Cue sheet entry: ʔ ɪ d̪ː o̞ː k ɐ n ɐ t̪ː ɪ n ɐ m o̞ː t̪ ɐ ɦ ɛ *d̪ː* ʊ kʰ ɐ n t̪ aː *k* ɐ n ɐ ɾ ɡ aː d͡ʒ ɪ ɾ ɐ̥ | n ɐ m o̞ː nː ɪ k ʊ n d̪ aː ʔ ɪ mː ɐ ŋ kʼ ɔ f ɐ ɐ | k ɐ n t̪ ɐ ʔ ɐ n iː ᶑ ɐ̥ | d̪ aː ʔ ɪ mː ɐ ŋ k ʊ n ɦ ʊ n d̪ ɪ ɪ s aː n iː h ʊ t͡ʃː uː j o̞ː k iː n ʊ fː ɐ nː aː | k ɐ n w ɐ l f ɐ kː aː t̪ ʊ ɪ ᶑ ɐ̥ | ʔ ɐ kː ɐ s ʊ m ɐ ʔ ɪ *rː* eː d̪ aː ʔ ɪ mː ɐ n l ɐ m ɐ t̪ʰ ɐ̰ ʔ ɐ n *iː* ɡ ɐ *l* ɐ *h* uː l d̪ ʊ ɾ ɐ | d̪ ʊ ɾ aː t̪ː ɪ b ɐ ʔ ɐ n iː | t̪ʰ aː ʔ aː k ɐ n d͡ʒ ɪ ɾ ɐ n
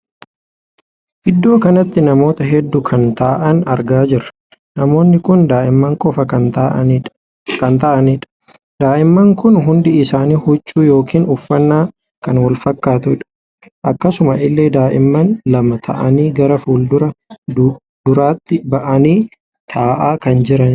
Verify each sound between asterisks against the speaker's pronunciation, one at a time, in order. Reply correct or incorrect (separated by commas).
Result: correct, incorrect, incorrect, correct, incorrect, incorrect